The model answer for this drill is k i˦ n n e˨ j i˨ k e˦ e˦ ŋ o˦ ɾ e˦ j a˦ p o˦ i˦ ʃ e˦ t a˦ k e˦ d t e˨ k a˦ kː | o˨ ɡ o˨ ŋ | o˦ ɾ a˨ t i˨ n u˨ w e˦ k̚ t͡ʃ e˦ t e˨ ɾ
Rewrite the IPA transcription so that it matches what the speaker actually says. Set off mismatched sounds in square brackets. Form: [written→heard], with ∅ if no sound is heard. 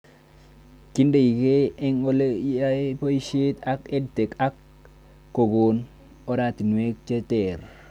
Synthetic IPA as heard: k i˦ n [n→d] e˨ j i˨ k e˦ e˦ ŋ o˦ [ɾ→l] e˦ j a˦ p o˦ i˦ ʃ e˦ t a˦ k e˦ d t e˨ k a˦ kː | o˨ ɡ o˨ [ŋ→n] | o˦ ɾ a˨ t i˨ n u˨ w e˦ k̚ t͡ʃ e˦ t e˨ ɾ